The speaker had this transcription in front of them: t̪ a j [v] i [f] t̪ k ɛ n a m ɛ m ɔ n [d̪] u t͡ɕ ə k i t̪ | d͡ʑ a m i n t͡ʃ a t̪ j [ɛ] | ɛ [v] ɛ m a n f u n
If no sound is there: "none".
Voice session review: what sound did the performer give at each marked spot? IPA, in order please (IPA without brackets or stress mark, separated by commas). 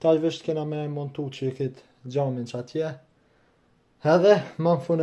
v, ʃ, t̪, ɛ, ð